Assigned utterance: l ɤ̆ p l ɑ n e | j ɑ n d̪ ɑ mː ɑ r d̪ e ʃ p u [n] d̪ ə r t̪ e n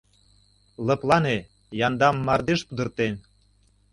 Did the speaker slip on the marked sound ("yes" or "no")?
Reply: yes